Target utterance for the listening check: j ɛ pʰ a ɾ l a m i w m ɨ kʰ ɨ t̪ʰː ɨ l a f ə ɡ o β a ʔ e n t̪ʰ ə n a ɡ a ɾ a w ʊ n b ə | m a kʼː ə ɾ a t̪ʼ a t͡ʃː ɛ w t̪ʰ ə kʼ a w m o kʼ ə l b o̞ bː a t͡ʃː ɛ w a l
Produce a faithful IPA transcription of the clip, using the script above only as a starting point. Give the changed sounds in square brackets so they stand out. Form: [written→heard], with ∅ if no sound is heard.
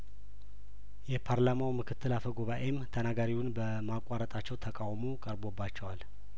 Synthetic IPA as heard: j ɛ pʰ a ɾ l a m [i→a] w m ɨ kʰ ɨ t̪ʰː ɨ l a f ə ɡ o β a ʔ e [n→m] t̪ʰ ə n a ɡ a ɾ [a→i] w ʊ n b ə | m a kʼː [ə→a] ɾ [a→ə] t̪ʼ a t͡ʃː ɛ w t̪ʰ ə kʼ a w m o kʼ ə [l→ɾ] b o̞ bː a t͡ʃː ɛ w a l